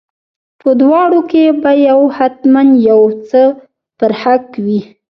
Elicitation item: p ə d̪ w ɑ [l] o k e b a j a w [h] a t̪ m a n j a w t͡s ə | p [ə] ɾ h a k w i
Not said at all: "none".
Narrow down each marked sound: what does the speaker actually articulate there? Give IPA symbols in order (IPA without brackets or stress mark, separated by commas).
ɽ, h, ə